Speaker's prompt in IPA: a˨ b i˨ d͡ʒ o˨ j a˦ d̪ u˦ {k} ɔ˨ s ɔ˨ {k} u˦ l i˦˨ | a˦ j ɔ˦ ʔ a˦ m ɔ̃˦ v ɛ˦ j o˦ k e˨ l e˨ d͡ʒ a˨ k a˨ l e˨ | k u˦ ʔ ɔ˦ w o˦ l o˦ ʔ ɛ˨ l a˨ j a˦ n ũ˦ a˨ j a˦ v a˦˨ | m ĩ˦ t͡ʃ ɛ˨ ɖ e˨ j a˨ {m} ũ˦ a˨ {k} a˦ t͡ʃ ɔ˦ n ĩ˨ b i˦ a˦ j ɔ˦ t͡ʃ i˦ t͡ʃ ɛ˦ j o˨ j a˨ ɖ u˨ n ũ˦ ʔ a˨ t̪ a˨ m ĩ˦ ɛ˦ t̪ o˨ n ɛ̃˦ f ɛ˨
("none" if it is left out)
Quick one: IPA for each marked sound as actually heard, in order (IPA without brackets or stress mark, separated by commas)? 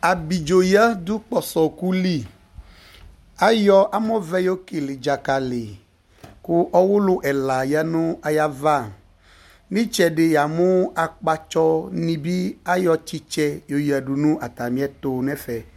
k͡p, k, m, k͡p